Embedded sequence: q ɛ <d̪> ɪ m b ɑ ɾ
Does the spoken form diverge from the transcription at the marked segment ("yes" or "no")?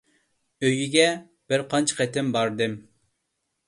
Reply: yes